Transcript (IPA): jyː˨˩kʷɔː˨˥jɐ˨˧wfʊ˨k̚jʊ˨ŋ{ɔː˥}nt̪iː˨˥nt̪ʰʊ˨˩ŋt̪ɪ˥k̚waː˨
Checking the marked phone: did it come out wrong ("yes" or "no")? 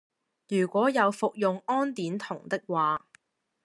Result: no